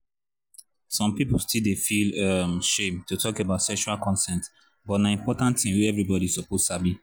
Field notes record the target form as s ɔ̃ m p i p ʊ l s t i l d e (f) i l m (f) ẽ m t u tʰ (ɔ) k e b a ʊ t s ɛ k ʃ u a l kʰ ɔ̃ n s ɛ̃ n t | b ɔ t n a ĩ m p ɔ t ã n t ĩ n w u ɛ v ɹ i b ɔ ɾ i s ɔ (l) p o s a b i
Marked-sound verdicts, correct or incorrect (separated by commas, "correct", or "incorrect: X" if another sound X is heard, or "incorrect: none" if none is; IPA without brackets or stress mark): correct, incorrect: ʃ, correct, incorrect: none